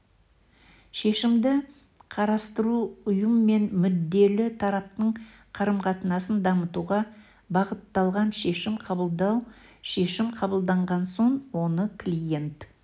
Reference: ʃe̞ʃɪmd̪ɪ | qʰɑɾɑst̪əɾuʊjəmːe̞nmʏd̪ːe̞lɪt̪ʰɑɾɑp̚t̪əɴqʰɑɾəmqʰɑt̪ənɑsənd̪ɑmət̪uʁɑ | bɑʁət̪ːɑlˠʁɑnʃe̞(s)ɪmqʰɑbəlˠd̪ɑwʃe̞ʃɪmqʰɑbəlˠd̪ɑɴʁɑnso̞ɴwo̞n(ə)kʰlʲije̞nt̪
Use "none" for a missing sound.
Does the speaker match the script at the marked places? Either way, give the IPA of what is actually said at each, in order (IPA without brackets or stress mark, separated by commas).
ʃ, ə